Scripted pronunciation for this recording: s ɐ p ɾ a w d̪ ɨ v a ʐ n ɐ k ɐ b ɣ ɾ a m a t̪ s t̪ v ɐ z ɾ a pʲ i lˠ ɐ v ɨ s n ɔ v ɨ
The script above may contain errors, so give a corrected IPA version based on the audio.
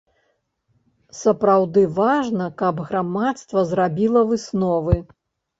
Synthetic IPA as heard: s ɐ p ɾ a w d̪ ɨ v a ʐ n ɐ k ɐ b ɣ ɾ a m a t̪ s t̪ v ɐ z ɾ a bʲ i lˠ ɐ v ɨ s n ɔ v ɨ